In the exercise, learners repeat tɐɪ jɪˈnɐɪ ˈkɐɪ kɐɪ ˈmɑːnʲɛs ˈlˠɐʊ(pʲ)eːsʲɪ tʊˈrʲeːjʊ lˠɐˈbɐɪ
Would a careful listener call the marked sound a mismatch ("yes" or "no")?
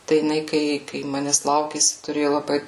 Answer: yes